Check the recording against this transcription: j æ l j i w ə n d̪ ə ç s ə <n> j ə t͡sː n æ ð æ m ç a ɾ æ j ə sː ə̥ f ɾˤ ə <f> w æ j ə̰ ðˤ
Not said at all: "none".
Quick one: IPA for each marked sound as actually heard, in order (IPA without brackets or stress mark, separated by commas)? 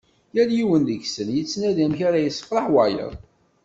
n, ħ